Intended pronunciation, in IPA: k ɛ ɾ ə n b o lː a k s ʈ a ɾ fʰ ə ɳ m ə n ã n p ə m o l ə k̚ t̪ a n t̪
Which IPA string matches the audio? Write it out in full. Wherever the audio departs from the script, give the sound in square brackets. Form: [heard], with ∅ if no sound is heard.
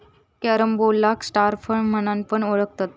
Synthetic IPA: k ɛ ɾ ə [m] b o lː a k s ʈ a ɾ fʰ ə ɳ m ə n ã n p ə [ɳ] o [ɭ] ə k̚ t̪ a [∅] t̪